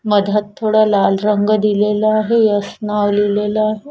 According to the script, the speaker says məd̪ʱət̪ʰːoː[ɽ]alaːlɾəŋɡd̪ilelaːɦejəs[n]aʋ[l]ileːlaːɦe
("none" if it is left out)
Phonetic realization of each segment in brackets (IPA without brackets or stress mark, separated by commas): ɽ, n, l